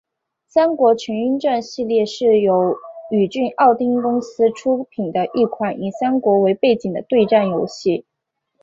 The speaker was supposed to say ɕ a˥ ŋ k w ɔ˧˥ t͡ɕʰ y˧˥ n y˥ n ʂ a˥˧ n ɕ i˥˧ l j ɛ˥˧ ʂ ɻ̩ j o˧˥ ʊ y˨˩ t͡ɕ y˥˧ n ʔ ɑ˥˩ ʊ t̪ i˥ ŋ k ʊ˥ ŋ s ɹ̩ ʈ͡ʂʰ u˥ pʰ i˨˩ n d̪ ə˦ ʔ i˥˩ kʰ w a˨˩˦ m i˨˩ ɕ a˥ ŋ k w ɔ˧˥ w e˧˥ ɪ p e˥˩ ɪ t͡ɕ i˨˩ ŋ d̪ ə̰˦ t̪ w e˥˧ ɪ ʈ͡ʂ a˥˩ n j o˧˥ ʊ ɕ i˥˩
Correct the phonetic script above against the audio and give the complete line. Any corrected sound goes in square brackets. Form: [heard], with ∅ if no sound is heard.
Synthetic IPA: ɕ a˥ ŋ k w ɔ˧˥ t͡ɕʰ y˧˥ n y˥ n [ʈ͡ʂ] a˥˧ n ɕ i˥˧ l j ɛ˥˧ ʂ ɻ̩ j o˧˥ ʊ y˨˩ t͡ɕ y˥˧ n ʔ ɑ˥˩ ʊ t̪ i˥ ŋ k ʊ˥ ŋ s ɹ̩ ʈ͡ʂʰ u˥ pʰ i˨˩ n d̪ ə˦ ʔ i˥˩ kʰ w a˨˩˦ [n] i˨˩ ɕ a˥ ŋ k w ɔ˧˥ w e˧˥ ɪ p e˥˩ ɪ t͡ɕ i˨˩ ŋ d̪ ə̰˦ t̪ w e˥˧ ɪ ʈ͡ʂ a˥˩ n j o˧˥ ʊ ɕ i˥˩